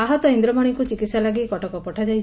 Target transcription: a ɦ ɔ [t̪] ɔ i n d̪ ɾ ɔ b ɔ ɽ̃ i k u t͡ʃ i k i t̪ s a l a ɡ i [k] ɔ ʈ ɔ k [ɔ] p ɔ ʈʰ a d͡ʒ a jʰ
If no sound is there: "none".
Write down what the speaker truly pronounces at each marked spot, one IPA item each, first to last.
t̪, k, ɔ

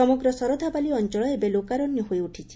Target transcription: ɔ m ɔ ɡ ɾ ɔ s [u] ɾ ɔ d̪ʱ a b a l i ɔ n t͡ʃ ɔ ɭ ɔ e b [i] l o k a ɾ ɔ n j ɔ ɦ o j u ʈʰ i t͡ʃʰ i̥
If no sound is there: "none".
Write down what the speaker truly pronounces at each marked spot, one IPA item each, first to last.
ɔ, e

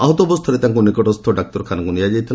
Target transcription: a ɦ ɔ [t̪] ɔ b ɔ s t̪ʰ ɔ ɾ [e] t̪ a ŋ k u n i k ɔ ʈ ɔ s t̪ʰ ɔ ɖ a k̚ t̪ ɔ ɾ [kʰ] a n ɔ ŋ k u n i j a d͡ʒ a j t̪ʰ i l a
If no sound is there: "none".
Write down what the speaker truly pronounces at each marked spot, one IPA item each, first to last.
t̪, e, kʰ

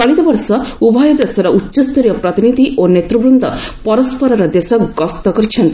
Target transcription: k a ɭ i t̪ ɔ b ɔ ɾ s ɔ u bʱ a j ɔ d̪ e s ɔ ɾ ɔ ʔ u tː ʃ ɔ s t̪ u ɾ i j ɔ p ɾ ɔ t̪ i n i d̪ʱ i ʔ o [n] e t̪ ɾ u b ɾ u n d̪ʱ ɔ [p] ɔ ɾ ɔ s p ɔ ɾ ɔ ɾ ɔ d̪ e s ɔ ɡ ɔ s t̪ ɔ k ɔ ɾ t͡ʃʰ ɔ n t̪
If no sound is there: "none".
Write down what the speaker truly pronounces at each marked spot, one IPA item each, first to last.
n, p

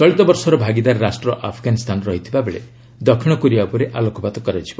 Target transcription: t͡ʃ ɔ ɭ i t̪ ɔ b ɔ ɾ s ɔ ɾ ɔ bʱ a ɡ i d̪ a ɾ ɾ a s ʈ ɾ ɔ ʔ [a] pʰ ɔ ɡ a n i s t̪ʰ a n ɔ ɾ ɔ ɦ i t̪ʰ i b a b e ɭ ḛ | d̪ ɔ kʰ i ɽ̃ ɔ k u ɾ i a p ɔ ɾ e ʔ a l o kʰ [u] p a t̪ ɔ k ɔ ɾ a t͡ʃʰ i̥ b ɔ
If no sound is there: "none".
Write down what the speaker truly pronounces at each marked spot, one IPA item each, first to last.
a, ɔ

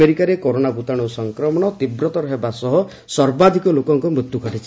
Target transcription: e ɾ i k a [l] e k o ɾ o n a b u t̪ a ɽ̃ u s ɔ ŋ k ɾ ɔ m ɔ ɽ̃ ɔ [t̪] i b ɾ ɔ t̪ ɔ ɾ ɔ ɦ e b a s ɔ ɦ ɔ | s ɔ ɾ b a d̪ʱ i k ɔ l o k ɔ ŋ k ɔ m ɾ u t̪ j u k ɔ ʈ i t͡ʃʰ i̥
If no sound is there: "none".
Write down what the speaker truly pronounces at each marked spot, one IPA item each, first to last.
ɾ, t̪

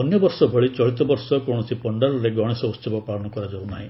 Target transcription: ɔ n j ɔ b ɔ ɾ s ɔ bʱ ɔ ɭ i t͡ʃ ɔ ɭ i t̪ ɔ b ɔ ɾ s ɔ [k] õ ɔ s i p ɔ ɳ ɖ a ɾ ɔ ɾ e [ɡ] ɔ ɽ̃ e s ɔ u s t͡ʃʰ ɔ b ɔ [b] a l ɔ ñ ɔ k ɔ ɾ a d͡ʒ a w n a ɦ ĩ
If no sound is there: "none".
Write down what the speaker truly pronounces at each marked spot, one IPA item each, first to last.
k, ɡ, p

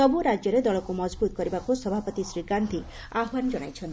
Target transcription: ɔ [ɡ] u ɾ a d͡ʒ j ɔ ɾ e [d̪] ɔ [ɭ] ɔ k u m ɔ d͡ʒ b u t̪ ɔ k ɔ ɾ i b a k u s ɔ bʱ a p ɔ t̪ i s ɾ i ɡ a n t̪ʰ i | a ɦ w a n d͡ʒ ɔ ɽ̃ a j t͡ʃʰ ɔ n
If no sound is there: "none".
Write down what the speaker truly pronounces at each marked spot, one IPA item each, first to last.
b, d̪, ɭ

